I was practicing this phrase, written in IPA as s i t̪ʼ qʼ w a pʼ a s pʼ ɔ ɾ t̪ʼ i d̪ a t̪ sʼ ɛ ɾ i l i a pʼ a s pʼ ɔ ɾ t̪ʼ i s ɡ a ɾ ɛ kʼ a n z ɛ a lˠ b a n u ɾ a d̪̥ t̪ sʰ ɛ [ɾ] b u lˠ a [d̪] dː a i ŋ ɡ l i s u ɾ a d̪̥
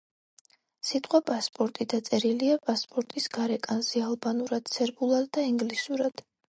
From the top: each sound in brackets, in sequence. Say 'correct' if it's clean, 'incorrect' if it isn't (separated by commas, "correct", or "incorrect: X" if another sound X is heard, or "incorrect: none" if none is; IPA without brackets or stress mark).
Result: correct, correct